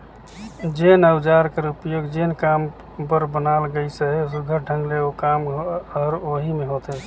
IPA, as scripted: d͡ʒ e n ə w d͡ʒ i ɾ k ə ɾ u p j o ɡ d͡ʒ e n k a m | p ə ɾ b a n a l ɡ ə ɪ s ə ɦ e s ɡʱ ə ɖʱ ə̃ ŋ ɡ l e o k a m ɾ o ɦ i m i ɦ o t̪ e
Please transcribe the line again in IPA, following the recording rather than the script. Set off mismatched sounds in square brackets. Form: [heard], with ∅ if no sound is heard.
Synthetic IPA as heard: d͡ʒ e n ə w d͡ʒ [a] ɾ k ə ɾ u p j o ɡ d͡ʒ e n k a m | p ə ɾ b [ə] n a l ɡ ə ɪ s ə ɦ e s ɡʱ ə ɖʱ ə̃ ŋ ɡ l e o k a m ɾ o ɦ i m [e] ɦ o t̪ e